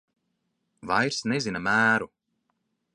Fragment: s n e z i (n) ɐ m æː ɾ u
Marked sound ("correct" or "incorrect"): correct